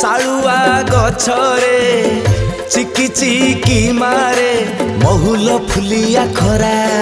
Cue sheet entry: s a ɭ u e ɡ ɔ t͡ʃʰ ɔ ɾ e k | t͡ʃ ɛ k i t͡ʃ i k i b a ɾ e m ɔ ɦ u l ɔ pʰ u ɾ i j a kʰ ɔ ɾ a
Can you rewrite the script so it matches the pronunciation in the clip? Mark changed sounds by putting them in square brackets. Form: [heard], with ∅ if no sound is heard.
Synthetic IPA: s a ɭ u [a] ɡ ɔ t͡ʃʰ ɔ ɾ e [∅] | t͡ʃ [i] k i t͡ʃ i k i [m] a ɾ e m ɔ ɦ u l ɔ pʰ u [l] i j a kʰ ɔ ɾ a